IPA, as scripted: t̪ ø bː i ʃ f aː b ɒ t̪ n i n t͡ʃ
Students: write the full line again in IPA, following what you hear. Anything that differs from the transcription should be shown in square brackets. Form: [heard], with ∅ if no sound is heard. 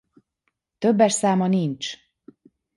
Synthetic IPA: t̪ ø bː [ɛ] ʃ [s] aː [m] ɒ [∅] n i n t͡ʃ